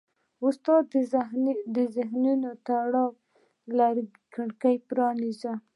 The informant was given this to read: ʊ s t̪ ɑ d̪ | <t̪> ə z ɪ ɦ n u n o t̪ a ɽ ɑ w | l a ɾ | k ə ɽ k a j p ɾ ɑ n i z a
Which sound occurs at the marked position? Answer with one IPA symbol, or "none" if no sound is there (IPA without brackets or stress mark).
d̪